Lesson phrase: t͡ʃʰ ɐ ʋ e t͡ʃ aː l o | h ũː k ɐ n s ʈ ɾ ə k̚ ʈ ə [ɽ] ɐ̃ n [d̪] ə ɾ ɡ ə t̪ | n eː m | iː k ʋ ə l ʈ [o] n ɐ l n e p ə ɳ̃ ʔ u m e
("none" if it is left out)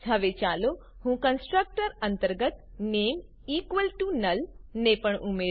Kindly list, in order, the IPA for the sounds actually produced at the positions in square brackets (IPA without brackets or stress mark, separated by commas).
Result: ɾ, t̪, u